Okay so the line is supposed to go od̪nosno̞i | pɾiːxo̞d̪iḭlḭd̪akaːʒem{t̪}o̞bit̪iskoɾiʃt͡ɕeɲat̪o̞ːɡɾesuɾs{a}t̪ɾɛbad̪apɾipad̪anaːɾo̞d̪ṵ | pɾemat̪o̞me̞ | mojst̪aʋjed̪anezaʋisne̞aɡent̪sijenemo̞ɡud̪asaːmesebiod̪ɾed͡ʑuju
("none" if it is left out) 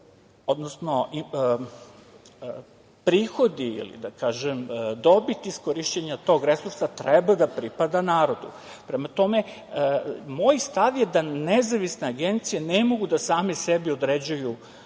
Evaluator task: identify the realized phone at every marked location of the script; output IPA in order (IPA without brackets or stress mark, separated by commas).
d̪, a